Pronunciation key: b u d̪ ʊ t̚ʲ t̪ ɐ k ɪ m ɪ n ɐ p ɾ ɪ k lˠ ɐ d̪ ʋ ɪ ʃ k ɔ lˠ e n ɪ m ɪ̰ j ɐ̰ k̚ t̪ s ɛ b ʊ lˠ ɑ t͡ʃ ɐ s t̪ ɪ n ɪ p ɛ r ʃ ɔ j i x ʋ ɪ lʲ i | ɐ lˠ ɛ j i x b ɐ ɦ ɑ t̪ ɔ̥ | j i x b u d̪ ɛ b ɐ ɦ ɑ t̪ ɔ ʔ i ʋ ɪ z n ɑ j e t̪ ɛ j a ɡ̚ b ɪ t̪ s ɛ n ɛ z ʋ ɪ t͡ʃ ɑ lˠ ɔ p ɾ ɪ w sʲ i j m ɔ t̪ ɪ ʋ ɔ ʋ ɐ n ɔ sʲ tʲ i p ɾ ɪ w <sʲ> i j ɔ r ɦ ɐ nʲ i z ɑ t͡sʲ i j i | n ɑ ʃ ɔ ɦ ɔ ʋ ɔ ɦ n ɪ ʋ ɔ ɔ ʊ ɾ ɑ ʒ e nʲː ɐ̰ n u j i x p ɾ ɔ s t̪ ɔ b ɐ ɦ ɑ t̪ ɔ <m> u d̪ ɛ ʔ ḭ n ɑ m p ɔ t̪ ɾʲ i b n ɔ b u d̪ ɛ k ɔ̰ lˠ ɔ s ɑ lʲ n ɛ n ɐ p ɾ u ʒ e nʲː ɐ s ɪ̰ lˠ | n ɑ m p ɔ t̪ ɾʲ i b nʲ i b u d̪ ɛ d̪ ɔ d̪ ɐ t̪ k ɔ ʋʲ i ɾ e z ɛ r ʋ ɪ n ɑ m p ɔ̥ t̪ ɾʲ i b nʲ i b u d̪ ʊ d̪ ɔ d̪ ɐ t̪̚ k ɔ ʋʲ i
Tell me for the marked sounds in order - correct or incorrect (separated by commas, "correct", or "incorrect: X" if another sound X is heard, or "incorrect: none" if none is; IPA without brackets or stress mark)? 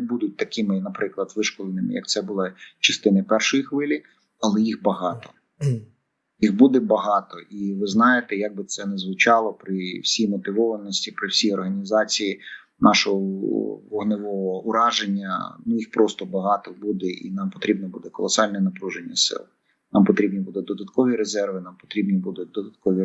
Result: correct, incorrect: b